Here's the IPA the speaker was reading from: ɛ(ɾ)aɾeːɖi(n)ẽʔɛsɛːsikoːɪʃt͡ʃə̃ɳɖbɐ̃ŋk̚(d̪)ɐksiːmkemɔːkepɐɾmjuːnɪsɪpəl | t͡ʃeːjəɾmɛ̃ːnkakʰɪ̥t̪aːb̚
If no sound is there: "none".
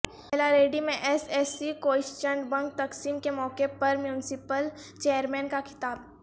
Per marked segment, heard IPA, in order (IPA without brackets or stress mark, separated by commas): l, m, t̪